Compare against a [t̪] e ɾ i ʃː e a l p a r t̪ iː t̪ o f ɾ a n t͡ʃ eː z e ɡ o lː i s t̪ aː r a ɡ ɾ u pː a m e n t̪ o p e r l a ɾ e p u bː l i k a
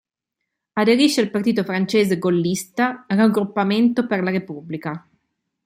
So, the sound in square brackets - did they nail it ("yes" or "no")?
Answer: no